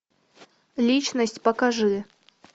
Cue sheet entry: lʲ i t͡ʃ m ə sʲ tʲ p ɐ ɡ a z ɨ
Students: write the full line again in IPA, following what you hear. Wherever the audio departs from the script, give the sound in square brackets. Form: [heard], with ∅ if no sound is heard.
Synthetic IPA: lʲ i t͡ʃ [n] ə sʲ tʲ p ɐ [k] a [ʐ] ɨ

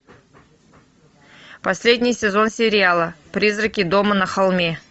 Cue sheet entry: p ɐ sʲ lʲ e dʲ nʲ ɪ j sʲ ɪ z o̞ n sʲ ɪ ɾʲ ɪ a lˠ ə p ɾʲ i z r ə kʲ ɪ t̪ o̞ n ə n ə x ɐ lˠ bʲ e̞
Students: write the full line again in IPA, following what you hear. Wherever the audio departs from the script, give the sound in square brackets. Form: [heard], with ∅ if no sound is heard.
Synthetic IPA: p ɐ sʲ lʲ e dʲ nʲ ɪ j sʲ ɪ z o̞ n sʲ ɪ ɾʲ ɪ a lˠ ə p ɾʲ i z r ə kʲ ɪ [d̪] o̞ [m] ə n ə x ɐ lˠ [mʲ] e̞

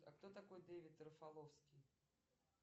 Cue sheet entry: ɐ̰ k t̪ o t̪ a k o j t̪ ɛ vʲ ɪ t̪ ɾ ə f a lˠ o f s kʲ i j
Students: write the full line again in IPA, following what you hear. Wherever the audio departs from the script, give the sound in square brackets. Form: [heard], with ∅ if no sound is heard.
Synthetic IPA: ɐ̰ k t̪ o t̪ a k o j [d̪] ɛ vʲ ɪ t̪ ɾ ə f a lˠ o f s kʲ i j

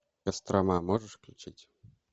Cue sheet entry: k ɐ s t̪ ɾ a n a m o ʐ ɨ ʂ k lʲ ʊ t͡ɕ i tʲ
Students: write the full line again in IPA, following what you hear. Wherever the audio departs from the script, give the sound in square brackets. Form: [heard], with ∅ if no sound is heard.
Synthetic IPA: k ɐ s t̪ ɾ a [m] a m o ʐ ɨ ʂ k lʲ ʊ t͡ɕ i tʲ

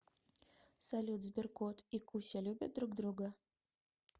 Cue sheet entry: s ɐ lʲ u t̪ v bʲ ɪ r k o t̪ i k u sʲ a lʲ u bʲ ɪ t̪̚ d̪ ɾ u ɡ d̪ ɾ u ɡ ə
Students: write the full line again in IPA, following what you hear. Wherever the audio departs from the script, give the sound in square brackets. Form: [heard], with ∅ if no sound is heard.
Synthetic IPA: s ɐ lʲ u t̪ [z] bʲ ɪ r k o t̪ i k u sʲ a lʲ u bʲ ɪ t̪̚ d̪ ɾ u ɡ d̪ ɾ u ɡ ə

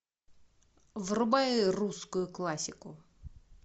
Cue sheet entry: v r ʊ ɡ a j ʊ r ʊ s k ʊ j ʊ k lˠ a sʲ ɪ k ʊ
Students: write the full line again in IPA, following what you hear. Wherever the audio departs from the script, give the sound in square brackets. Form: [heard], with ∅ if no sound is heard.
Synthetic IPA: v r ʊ [b] a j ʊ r [u] s k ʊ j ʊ k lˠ a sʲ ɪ k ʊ

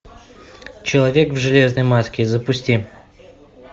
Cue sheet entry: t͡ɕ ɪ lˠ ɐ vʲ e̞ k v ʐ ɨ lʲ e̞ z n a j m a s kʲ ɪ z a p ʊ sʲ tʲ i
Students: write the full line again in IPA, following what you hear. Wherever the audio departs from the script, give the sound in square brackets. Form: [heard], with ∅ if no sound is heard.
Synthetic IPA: t͡ɕ ɪ lˠ ɐ vʲ e̞ k v ʐ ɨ lʲ e̞ z n [ə] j m a s kʲ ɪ z [ə] p ʊ sʲ tʲ i

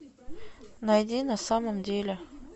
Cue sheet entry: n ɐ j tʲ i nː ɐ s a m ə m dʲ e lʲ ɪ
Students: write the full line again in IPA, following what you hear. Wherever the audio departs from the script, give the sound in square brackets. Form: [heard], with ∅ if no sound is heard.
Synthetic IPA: n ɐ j [dʲ] i [n] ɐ s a m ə m dʲ e lʲ ɪ

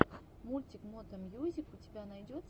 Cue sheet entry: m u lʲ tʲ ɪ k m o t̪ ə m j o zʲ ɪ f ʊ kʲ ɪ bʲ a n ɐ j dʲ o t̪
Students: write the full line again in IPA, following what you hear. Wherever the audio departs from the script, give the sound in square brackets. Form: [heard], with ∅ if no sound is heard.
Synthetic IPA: m u lʲ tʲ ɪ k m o t̪ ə m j [u] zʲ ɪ f ʊ [tʲ] ɪ bʲ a n ɐ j dʲ o t̪

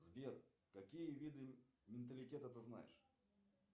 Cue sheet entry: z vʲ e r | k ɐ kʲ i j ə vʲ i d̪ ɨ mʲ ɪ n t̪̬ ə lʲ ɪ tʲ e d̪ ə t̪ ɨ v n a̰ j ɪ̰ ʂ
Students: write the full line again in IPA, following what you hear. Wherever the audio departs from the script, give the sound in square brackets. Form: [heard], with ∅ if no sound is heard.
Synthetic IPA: z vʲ e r | k ɐ kʲ i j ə vʲ i d̪ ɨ mʲ ɪ n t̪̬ ə lʲ ɪ tʲ e [t̪] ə t̪ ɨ [z] n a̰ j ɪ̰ ʂ

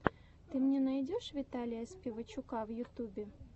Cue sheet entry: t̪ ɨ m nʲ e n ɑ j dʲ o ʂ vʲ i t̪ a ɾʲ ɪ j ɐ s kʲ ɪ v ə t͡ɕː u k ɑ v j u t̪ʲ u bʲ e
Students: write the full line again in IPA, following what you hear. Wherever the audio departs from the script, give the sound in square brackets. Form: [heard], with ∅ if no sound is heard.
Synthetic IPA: t̪ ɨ m nʲ e n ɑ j dʲ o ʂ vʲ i t̪ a [lʲ] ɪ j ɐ s [pʲ] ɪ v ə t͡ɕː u k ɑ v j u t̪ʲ u bʲ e

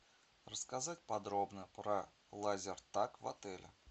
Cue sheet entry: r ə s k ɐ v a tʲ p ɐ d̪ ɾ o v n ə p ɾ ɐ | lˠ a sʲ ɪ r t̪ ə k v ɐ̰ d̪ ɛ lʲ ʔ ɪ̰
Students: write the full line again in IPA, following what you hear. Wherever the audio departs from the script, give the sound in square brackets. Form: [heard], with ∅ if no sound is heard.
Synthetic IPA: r ə s k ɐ [z] a tʲ p ɐ d̪ ɾ o [b] n ə p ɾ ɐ | lˠ a [zʲ] ɪ r t̪ [a] k v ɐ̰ [t̪] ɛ lʲ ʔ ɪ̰

